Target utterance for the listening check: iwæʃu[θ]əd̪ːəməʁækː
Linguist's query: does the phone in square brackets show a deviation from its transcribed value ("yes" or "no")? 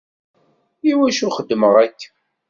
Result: yes